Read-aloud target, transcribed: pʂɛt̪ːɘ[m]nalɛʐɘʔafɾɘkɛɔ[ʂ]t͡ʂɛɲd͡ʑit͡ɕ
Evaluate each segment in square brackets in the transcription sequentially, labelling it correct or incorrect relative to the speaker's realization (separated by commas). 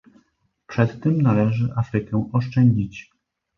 correct, correct